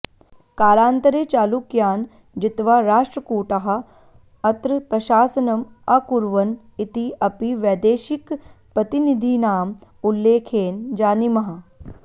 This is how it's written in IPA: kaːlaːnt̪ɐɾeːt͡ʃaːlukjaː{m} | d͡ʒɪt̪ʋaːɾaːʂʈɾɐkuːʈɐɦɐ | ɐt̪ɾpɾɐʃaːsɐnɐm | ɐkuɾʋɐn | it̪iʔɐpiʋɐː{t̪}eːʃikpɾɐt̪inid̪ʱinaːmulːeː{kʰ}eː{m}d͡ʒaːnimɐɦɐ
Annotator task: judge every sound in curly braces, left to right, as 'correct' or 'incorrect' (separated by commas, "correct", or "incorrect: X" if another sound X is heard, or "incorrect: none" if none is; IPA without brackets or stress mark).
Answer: incorrect: n, incorrect: d̪, correct, incorrect: n